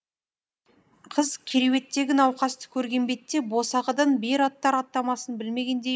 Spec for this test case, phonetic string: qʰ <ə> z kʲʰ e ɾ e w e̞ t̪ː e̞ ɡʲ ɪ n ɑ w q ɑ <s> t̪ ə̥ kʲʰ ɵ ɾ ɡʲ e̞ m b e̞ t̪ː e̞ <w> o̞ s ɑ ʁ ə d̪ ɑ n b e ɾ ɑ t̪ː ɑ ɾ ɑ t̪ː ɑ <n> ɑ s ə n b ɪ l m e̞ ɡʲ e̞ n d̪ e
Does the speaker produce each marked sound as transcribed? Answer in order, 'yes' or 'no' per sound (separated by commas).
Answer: yes, yes, no, no